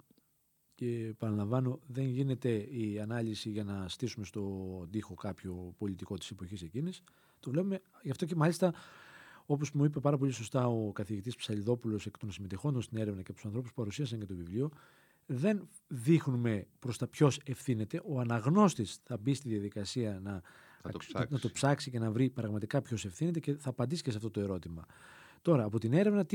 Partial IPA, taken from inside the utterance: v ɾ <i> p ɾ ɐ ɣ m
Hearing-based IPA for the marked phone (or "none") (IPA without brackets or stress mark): i